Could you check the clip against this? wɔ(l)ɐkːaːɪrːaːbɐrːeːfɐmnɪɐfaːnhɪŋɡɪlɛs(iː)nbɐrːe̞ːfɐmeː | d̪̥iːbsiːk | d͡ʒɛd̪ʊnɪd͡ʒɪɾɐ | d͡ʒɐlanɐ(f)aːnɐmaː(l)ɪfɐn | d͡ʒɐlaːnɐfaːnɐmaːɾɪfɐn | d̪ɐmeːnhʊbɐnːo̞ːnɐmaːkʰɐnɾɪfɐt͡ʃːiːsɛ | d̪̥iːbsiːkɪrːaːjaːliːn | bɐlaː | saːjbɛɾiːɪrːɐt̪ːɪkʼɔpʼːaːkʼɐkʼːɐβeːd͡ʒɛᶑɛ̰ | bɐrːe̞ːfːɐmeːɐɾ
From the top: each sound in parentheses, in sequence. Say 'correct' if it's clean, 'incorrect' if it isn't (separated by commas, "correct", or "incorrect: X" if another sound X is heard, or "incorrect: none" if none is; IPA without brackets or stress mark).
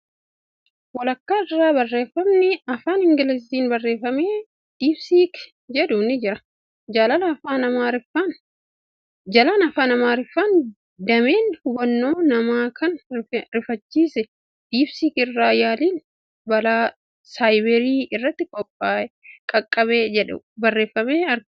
correct, correct, correct, incorrect: ɾ